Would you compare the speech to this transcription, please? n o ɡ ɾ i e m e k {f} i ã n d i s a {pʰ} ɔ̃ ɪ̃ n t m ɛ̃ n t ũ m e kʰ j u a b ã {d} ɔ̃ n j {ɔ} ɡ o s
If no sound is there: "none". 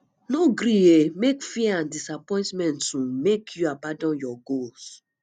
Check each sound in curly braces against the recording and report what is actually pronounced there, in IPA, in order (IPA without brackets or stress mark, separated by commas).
f, p, d, ɔ